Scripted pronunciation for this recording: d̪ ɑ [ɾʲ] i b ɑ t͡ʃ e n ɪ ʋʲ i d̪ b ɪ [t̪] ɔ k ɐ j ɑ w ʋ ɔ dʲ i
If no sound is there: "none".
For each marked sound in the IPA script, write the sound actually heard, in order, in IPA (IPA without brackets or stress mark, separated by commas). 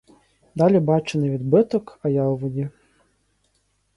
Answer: lʲ, t̪